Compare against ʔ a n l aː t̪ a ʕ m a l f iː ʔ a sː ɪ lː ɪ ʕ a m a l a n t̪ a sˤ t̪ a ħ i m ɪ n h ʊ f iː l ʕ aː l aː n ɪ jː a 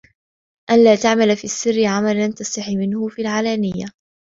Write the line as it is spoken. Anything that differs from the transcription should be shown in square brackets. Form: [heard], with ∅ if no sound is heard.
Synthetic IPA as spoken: ʔ a n l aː t̪ a ʕ m a l f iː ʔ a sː ɪ [rː] ɪ ʕ a m a l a n t̪ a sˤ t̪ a ħ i m ɪ n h ʊ f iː l ʕ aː l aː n ɪ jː a